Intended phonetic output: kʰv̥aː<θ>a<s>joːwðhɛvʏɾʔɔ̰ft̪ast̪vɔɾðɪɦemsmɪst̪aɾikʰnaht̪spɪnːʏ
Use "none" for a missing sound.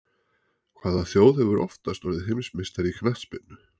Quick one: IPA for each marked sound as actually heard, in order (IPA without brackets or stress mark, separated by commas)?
ð, θ